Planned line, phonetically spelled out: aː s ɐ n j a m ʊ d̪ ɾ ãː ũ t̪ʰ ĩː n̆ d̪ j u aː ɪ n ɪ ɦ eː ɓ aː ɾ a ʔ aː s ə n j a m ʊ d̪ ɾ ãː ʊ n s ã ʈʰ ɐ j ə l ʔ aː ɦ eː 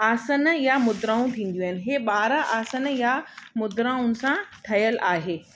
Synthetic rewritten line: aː s ə n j a m ʊ d̪ ɾ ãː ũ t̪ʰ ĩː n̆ d̪ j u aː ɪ n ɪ ɦ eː ɓ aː ɾ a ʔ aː s ə n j a m ʊ d̪ ɾ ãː ʊ n s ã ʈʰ ɐ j ə l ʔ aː ɦ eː